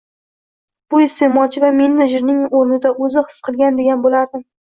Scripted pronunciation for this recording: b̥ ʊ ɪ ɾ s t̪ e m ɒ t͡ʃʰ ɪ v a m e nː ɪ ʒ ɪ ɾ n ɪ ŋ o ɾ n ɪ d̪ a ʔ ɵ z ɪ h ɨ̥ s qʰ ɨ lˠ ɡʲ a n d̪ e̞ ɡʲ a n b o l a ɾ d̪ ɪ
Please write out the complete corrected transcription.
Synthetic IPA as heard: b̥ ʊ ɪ s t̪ e m ɒ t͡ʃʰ ɪ v a m e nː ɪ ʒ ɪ ɾ n ɪ ŋ o ɾ n ɪ d̪ a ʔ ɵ z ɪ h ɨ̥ s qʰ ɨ lˠ ɡʲ a n d̪ e̞ ɡʲ a n b o l a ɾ d̪ ɪ

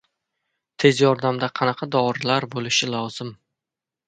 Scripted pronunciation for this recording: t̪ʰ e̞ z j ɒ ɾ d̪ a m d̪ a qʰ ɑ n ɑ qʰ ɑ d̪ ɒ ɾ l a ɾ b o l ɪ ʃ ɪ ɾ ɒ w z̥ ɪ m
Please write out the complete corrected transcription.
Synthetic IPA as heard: t̪ʰ e̞ z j ɒ ɾ d̪ a m d̪ a qʰ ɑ n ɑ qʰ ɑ d̪ ɒ ɾ l a ɾ b o l ɪ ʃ ɪ l ɒ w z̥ ɪ m

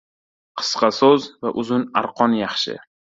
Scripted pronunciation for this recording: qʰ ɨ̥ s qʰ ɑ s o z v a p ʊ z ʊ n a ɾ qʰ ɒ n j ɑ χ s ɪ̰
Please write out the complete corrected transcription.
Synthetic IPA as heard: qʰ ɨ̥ s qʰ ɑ s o z v a ʔ ʊ z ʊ n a ɾ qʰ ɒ n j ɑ χ ʃ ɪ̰

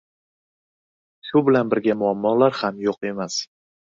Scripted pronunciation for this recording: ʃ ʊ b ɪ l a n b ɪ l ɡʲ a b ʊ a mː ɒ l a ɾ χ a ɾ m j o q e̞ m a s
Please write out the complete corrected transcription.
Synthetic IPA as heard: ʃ ʊ b ɪ l a n b ɪ ɾ ɡʲ a m ʊ a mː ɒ l a ɾ h a m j o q e̞ m a s

